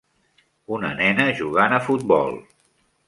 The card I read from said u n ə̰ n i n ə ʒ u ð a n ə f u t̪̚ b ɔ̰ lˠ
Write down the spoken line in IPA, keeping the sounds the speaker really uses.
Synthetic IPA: u n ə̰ n ɛ n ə ʒ u ɣ a n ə f u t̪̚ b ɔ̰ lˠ